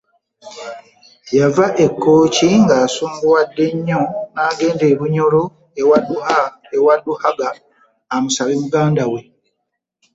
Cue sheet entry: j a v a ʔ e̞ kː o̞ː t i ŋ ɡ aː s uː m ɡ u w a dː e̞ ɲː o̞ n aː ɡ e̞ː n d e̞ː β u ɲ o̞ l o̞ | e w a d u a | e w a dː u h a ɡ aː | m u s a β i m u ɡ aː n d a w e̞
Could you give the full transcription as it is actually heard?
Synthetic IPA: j a v a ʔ e̞ kː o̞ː c i ŋ ɡ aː s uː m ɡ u w a dː e̞ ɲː o̞ n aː ɡ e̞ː n d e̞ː β u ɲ o̞ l o̞ | e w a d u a | e w a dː u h a ɡ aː | m u s a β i m u ɡ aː n d a w e̞